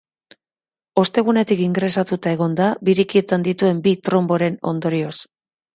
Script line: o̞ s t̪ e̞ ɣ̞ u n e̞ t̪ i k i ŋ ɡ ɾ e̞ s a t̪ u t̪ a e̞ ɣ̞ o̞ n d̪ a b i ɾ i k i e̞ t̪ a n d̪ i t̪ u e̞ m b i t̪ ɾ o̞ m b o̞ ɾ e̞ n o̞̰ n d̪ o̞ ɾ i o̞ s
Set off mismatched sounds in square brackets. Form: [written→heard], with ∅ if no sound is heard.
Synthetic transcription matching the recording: o̞ s t̪ e̞ ɣ̞ u n e̞ t̪ i k i ŋ ɡ ɾ e̞ s a t̪ u t̪ a e̞ ɣ̞ o̞ n d̪ a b i ɾ i k i e̞ t̪ a n d̪ i t̪ u e̞ m b i t̪ ɾ o̞ m b o̞ ɾ e̞ n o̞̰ n d̪ o̞ ɾ i o̞ s